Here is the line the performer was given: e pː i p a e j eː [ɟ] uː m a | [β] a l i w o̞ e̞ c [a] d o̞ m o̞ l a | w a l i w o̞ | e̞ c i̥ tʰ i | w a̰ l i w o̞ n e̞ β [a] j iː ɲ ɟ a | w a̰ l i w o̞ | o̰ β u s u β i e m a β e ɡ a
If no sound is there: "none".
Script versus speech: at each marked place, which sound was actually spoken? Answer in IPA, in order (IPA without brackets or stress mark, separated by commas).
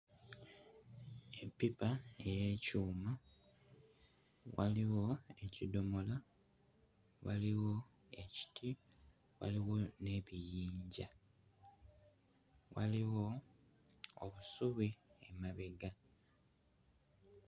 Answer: c, w, i, i